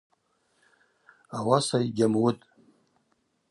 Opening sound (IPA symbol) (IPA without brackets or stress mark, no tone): a